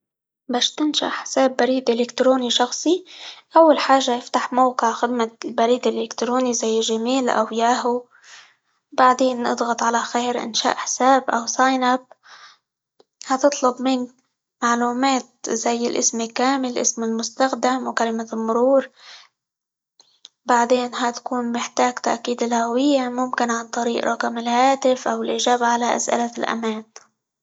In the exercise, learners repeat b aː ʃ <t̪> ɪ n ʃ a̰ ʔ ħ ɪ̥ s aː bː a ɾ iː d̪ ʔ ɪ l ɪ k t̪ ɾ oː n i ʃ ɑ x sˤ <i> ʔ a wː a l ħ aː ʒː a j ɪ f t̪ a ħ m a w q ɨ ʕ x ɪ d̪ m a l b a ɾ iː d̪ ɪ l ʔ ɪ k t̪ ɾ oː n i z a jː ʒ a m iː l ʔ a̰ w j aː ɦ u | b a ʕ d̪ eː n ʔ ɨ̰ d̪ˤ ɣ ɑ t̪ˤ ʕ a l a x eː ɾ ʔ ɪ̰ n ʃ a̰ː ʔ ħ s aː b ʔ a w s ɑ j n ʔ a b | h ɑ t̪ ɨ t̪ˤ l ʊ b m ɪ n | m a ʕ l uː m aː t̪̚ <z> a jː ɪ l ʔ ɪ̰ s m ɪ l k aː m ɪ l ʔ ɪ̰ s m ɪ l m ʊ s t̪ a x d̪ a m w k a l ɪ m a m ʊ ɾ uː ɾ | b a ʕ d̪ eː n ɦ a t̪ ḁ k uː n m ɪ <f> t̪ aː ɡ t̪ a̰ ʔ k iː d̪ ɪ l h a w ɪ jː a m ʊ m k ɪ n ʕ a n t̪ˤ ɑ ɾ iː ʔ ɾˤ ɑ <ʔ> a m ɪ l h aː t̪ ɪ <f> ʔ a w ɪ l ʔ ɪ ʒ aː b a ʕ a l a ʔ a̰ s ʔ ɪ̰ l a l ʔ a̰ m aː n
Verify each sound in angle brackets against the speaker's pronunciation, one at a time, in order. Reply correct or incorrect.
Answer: correct, correct, correct, incorrect: ħ, incorrect: k, correct

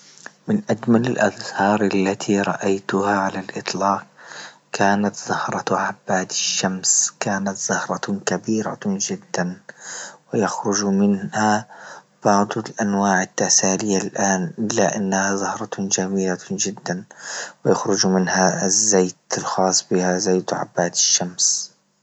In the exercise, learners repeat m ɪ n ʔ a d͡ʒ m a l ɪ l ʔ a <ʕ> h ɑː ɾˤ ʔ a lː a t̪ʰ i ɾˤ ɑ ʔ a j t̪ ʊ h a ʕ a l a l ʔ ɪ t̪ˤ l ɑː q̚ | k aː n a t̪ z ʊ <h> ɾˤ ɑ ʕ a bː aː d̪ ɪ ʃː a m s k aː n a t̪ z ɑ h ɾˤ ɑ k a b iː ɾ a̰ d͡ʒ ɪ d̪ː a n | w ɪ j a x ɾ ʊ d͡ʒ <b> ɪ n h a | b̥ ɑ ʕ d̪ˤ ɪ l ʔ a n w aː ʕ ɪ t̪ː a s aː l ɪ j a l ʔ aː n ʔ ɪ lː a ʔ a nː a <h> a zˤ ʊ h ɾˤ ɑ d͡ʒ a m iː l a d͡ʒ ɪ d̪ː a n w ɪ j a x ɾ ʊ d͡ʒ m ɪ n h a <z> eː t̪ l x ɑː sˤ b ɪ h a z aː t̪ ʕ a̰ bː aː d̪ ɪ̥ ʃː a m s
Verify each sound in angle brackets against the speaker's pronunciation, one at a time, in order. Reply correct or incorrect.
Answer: incorrect: ð, correct, incorrect: m, correct, incorrect: zː

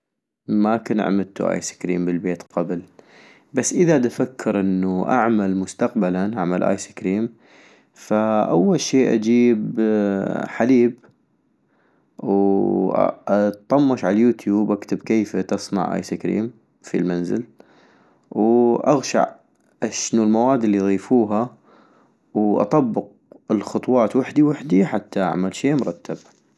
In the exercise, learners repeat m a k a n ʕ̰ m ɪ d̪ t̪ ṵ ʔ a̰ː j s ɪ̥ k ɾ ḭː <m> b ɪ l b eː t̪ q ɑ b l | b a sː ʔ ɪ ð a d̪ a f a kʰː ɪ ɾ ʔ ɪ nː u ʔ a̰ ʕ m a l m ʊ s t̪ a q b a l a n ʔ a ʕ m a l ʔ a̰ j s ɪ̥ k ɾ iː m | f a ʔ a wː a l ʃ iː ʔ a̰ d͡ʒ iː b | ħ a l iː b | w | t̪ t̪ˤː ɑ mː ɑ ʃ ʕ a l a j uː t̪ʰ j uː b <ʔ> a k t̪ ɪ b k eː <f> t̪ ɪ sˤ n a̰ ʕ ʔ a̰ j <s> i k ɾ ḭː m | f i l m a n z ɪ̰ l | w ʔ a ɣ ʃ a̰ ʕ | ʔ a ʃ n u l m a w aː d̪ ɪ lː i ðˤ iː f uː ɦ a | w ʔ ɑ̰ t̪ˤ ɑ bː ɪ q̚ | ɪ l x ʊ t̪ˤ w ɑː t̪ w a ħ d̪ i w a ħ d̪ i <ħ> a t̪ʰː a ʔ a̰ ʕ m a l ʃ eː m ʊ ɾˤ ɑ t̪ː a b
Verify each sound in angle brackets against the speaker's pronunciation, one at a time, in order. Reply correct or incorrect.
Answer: correct, correct, correct, correct, correct

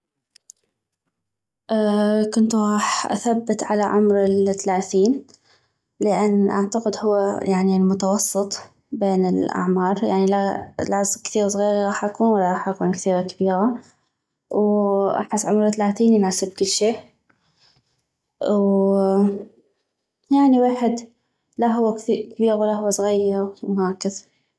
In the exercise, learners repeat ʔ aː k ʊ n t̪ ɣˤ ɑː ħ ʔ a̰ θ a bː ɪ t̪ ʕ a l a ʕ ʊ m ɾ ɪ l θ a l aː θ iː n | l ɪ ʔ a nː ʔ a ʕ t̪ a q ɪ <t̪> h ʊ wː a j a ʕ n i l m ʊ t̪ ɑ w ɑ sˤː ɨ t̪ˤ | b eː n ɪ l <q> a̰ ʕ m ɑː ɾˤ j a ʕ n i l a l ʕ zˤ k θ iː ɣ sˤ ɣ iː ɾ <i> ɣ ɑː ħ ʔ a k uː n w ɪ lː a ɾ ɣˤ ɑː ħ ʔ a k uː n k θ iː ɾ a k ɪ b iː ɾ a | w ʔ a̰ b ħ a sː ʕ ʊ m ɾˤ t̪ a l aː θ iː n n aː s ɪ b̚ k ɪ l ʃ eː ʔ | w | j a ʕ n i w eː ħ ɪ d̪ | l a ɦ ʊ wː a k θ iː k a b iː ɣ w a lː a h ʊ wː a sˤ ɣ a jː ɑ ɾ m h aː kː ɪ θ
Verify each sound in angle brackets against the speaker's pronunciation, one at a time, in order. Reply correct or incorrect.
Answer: incorrect: d̪, incorrect: ʔ, correct

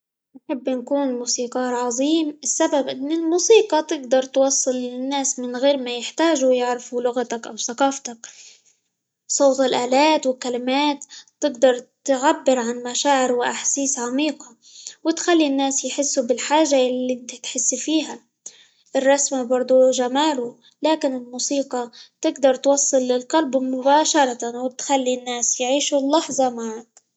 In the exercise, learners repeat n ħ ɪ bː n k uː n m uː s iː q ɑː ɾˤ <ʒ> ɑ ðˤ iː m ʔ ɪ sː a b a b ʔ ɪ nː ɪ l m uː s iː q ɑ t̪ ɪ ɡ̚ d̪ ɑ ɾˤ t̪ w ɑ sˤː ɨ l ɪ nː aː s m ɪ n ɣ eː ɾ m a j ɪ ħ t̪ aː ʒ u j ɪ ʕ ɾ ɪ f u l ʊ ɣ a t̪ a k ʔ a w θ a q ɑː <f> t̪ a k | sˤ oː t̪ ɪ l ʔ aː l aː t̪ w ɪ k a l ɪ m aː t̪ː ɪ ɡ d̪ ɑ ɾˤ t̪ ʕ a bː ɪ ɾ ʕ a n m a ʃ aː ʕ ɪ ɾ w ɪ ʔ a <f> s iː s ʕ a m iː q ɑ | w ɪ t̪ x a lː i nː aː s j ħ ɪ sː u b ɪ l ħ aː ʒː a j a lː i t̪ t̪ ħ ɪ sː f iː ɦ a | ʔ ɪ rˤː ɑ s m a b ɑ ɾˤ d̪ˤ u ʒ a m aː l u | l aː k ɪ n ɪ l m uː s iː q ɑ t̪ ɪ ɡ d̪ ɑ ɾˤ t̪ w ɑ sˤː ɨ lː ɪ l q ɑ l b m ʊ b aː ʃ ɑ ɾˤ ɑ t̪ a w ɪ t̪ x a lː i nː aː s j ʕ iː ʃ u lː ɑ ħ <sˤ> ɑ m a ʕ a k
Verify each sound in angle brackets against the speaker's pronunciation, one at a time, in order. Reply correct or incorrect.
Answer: incorrect: ʕ, correct, incorrect: ħ, incorrect: zˤ

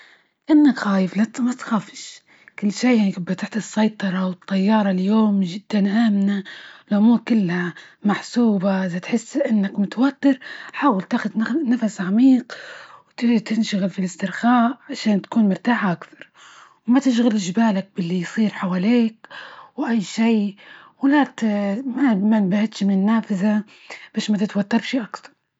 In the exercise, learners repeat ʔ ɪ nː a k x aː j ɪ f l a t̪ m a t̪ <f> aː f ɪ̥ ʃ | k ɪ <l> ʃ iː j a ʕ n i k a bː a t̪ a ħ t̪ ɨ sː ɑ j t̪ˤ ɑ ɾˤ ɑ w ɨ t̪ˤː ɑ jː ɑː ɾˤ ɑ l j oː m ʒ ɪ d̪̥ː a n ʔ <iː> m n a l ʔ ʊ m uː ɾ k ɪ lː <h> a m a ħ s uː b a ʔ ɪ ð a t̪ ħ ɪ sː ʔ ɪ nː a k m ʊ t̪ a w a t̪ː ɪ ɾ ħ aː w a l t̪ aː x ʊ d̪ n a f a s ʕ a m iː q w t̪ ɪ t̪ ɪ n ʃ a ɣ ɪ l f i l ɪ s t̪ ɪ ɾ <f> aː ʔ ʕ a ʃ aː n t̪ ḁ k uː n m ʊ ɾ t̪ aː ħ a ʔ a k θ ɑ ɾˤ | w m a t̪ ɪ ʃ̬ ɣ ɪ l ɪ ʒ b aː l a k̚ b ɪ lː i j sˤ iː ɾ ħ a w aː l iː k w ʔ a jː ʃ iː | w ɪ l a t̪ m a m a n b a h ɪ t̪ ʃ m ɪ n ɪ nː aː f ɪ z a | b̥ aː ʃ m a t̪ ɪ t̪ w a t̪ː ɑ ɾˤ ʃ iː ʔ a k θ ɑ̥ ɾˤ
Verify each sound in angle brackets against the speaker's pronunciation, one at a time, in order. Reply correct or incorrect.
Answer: incorrect: x, incorrect: lː, incorrect: aː, correct, incorrect: x

